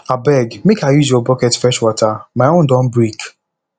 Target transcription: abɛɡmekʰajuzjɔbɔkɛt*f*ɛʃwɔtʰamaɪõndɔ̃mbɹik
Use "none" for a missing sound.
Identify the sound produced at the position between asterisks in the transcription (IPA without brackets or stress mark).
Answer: f